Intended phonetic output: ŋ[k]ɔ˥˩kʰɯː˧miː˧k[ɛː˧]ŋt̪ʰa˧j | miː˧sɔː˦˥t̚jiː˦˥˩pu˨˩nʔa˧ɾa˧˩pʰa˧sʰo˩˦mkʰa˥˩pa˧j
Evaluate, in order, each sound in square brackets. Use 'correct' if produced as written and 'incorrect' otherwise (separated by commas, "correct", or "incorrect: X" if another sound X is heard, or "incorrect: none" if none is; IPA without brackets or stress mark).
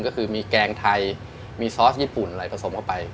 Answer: correct, correct